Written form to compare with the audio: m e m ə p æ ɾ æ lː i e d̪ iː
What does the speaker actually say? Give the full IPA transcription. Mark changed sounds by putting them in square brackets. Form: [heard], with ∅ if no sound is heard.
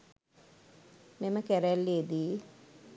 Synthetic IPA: m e m ə [k] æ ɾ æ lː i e d̪ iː